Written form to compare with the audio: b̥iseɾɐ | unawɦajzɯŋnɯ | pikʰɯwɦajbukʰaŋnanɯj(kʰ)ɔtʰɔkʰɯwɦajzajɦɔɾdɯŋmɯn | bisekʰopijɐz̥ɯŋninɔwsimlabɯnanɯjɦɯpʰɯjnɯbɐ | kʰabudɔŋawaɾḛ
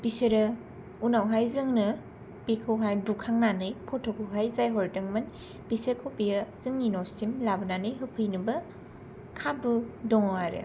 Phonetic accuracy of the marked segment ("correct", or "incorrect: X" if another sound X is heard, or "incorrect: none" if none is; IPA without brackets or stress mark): incorrect: pʰ